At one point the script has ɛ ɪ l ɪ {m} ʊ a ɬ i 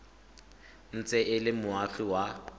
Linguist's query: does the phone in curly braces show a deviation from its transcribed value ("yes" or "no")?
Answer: no